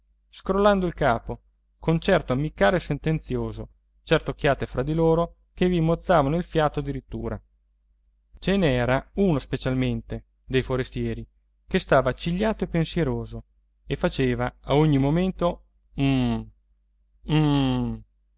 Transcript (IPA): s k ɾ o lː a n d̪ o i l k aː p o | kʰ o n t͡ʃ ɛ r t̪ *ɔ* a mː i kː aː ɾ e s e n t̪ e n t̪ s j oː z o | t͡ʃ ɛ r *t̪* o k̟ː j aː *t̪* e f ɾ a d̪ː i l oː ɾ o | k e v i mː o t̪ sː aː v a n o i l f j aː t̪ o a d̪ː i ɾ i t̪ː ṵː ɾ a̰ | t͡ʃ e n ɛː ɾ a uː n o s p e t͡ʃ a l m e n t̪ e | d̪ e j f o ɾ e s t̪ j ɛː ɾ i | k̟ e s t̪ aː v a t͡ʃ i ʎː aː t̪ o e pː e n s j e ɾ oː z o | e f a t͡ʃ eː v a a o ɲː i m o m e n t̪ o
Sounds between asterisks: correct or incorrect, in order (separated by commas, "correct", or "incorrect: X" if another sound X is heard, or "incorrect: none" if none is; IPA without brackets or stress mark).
incorrect: o, correct, correct